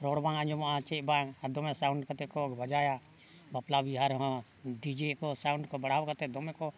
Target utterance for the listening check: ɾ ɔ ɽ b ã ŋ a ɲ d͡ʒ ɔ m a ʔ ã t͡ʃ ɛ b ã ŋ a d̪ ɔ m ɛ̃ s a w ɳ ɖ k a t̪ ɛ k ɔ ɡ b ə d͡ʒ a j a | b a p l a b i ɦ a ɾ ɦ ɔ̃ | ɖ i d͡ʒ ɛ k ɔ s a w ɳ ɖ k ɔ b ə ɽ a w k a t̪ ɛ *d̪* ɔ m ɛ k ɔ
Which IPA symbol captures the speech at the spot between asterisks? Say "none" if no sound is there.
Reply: d̪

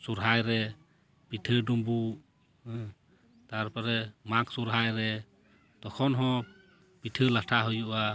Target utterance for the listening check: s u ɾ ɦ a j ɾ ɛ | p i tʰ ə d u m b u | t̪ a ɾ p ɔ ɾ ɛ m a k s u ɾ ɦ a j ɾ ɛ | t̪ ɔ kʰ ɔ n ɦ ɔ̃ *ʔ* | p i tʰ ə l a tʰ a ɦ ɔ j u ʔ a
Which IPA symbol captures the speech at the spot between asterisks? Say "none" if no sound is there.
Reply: none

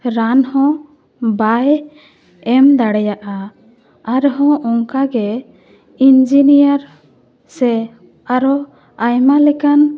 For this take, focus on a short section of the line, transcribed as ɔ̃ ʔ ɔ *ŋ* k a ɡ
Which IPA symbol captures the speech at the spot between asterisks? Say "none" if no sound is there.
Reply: ŋ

